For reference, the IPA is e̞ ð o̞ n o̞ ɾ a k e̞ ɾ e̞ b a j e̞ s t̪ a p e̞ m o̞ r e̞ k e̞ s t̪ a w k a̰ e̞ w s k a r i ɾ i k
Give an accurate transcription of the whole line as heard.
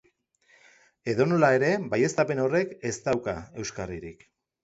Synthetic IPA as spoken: e̞ ð o̞ n o̞ l a e̞ ɾ e̞ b a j e̞ s t̪ a p e̞ n o̞ r e̞ k e̞ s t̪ a w k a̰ e̞ w s k a r i ɾ i k